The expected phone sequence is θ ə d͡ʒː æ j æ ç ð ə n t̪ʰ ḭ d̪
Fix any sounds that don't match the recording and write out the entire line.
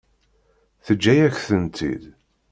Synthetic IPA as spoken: θ ə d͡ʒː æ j æ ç θ ə n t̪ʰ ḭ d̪